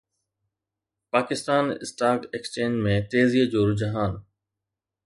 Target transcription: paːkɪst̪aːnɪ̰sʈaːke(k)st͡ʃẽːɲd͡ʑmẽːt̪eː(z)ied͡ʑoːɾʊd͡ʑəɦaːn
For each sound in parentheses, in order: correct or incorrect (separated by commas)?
correct, correct